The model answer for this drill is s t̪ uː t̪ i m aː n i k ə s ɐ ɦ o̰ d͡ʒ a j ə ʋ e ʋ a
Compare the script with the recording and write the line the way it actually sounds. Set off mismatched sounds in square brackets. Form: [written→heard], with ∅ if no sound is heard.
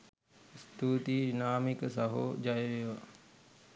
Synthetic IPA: s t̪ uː t̪ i [m→n] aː [n→m] i k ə s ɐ ɦ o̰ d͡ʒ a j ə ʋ e ʋ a